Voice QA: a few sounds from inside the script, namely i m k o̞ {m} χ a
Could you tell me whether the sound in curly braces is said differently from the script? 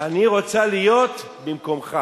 no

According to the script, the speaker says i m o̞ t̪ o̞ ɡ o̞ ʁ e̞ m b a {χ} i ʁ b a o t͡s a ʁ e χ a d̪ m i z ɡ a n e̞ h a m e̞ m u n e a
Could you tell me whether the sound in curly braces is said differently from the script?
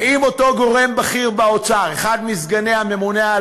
no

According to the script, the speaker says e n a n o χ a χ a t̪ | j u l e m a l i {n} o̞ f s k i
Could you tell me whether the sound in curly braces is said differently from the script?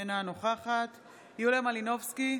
no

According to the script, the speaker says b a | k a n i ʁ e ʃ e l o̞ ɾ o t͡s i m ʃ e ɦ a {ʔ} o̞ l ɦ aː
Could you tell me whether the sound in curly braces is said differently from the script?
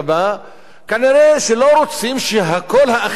yes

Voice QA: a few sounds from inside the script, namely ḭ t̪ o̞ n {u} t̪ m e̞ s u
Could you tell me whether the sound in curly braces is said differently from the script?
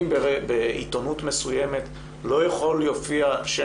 no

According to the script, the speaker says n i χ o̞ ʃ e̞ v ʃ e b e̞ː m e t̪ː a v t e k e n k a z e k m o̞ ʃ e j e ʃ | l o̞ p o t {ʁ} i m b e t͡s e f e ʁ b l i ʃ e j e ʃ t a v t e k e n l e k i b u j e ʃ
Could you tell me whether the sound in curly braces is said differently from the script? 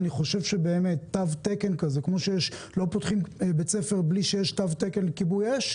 yes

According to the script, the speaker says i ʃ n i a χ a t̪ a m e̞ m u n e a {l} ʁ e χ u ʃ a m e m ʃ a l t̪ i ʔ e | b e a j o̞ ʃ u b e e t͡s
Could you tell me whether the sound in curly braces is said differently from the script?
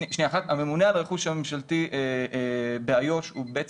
no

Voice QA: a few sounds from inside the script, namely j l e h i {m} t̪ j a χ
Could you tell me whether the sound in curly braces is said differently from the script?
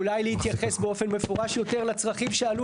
yes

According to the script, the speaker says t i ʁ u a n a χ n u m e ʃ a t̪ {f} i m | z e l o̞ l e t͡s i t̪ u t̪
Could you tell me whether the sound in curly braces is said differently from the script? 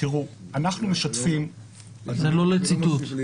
no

